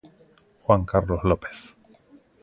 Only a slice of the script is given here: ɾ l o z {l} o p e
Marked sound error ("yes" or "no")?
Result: no